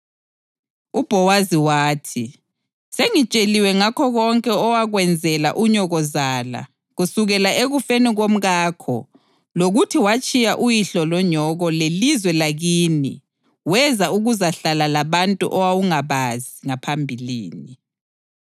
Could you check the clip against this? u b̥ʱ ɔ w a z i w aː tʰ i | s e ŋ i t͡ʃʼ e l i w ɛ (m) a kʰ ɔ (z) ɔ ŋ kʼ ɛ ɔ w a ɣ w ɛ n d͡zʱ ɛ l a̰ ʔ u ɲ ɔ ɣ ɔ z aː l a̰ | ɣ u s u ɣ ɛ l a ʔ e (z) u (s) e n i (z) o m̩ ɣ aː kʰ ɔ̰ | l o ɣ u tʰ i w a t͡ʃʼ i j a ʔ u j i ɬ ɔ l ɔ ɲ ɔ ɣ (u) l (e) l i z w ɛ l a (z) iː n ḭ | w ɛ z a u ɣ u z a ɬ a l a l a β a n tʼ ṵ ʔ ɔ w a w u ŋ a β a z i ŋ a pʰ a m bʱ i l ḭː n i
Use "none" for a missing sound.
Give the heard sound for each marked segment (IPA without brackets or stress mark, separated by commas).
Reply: ŋ, ɣ, ɣ, f, ɣ, ɔ, e, ɣ